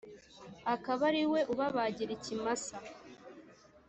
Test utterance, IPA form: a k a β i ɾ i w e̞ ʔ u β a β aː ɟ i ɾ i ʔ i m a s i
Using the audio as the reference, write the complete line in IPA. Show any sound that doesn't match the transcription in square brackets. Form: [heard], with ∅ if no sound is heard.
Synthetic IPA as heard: a k a β [a] ɾ i w e̞ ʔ u β a β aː ɟ i ɾ i [c] i m a s [a]

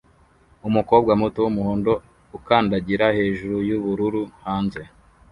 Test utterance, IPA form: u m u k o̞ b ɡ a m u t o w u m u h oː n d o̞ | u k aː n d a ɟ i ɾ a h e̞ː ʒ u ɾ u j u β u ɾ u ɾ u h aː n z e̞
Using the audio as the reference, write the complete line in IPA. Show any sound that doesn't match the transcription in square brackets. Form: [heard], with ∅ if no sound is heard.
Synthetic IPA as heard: u m u k o̞ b ɡ a m u t o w u m u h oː n d o̞ | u k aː n d a ɟ i ɾ a h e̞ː ʒ u ɾ u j u β u ɾ u ɾ u h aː n z e̞

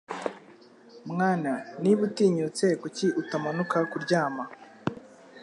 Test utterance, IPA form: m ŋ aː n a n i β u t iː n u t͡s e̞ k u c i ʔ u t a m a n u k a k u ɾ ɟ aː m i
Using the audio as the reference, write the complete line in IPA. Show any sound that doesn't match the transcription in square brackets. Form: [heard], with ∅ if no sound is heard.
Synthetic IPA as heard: m ŋ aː n a n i β u t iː [ɲ] u t͡s e̞ k u c i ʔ u t a m a n u k a k u ɾ ɟ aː m [a]

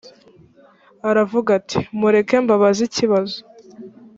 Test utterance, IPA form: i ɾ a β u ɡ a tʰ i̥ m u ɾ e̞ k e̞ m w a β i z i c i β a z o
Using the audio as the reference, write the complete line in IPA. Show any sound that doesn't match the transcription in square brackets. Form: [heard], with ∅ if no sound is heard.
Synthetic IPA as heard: [a] ɾ a [v] u ɡ a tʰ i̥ m u ɾ e̞ k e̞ m [b] a β [a] z i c i β a z o

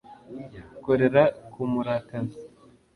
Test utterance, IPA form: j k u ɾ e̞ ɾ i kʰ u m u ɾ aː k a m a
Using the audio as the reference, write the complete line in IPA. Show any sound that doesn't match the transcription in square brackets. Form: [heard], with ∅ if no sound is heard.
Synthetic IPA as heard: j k [o] ɾ e̞ ɾ [a] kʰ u m u ɾ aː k a [n] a

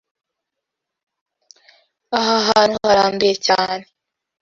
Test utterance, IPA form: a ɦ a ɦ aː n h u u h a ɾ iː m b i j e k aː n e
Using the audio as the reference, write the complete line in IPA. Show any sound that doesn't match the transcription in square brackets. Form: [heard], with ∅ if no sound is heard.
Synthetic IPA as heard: a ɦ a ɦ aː n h u u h a ɾ [aː] m b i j e [c] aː n e

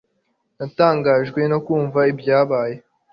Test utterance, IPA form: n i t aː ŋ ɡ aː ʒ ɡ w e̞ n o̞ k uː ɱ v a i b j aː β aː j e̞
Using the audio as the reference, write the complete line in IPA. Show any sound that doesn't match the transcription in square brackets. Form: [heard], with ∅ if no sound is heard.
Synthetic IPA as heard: n [a] t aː ŋ ɡ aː ʒ ɡ w e̞ n o̞ k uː ɱ v a i b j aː β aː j e̞

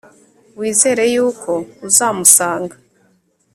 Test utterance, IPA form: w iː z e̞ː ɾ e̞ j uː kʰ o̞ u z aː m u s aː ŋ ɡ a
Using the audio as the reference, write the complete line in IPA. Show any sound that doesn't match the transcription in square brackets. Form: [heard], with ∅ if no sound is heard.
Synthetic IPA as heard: w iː z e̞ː ɾ e̞ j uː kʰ o̞ u z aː m u s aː ŋ ɡ a

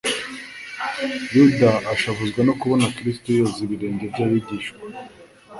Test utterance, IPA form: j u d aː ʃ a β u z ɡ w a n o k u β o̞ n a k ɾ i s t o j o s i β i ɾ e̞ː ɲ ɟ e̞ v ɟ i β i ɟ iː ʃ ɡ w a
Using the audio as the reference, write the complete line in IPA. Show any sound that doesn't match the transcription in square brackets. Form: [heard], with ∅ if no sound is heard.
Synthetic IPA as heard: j u d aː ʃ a β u z ɡ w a n o k u β o̞ n a k ɾ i s t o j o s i β i ɾ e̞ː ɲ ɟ e̞ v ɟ [a] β i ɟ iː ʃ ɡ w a

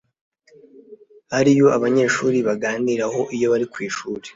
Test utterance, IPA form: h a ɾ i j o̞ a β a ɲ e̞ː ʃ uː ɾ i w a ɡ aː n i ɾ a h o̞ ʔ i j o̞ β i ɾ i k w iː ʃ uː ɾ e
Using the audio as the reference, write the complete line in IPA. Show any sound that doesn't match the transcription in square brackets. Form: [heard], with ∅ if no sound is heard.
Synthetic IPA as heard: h a ɾ i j o̞ a β a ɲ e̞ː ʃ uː ɾ i [β] a ɡ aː n i ɾ a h o̞ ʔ i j o̞ β [a] ɾ i k w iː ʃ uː ɾ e

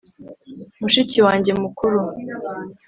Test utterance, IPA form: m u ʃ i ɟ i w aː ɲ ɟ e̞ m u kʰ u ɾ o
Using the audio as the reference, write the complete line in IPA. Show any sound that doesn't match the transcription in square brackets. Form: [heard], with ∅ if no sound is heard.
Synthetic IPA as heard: m u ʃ i [c] i w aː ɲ ɟ e̞ m u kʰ u ɾ [u]

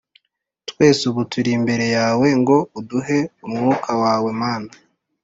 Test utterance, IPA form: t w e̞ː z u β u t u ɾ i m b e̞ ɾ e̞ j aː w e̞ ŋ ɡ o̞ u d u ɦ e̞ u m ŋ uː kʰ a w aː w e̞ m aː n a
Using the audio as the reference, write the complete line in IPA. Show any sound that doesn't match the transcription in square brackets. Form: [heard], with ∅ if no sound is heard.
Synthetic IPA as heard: t w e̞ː [s] u β u t u ɾ i m b e̞ ɾ e̞ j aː w e̞ ŋ ɡ o̞ u d u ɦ e̞ u m ŋ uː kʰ a w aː w e̞ m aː n a

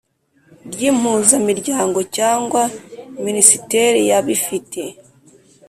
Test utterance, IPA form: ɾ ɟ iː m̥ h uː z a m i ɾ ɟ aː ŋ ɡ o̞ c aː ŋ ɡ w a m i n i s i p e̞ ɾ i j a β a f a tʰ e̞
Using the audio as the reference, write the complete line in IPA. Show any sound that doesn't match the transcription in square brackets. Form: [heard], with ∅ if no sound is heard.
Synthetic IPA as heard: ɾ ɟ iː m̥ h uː z a m i ɾ ɟ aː ŋ ɡ o̞ c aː ŋ ɡ w a m i n i s i [t] e̞ ɾ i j a β [i] f [i] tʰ e̞

